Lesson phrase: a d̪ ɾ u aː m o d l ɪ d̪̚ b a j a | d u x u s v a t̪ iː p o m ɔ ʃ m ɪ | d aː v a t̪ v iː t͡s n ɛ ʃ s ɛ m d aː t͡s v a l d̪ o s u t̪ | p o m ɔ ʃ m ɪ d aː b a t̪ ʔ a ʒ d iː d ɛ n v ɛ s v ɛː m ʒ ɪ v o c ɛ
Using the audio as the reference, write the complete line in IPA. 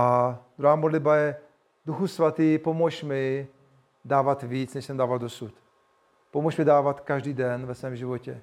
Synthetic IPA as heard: a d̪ ɾ u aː m o d l ɪ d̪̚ b a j ɛ | d u x u s v a t̪ iː p o m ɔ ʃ m ɪ | d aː v a t̪ v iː t͡s n ɛ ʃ s ɛ m d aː v a l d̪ o s u t̪ | p o m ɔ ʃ m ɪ d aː v a t̪ k a ʒ d iː d ɛ n v ɛ s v ɛː m ʒ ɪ v o c ɛ